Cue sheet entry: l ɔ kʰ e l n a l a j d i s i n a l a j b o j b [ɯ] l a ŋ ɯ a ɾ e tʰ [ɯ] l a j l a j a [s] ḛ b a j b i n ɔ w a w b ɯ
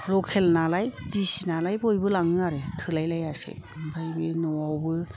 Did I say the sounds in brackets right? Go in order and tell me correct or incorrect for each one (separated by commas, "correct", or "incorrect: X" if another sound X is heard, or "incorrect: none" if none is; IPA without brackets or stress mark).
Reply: correct, correct, correct